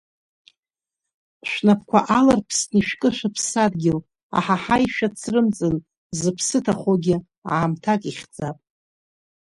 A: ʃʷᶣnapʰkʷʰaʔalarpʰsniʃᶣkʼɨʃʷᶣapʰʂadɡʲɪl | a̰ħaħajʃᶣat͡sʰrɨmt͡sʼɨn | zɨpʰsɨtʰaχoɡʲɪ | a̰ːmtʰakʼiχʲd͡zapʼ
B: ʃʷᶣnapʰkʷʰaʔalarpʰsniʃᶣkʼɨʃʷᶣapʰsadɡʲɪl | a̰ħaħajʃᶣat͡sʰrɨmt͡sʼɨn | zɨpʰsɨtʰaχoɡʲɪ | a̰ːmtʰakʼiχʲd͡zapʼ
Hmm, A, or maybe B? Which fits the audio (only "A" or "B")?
B